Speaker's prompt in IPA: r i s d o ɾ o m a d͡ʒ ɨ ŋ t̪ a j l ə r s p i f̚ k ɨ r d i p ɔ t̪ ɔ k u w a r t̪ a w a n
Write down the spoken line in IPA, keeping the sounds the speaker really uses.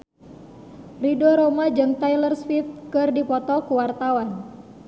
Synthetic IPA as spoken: r i d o ɾ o m a d͡ʒ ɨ ŋ t̪ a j l ə r s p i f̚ k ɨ r d i p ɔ t̪ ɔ k u w a r t̪ a w a n